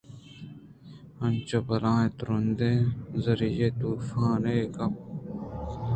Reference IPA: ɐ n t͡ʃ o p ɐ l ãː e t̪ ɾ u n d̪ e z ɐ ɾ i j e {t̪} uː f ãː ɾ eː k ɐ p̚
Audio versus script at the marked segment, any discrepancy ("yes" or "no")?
no